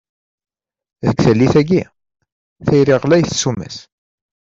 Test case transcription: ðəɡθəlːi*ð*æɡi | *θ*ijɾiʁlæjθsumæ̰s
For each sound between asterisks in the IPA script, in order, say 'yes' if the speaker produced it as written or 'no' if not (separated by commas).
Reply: no, yes